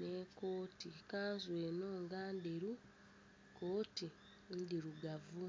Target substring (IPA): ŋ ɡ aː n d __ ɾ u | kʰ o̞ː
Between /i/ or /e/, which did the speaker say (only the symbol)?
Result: e